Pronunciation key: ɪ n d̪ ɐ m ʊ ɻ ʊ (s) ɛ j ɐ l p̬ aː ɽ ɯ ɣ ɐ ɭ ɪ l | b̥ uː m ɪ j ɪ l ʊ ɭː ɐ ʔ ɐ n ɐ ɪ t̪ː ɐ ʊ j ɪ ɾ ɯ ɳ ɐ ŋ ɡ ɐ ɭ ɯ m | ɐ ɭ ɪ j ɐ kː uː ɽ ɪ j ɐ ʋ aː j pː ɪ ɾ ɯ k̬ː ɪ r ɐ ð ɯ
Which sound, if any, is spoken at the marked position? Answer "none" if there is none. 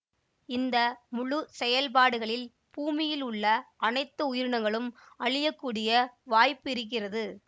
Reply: s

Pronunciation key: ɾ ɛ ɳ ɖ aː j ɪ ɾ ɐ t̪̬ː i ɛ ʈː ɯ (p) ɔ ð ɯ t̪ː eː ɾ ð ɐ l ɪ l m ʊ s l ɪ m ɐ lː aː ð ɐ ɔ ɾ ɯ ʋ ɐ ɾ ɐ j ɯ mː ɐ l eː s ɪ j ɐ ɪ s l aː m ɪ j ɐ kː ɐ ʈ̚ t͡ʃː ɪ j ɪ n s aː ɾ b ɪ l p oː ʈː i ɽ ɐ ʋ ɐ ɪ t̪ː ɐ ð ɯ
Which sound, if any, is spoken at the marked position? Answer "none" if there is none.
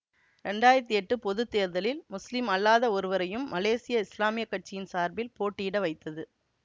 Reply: p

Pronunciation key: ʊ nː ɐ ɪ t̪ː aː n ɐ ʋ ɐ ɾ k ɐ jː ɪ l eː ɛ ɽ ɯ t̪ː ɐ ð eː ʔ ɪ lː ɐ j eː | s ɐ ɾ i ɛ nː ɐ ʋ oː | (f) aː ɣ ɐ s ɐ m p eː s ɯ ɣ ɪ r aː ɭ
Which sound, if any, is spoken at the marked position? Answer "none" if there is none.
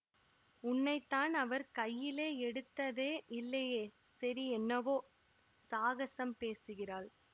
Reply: s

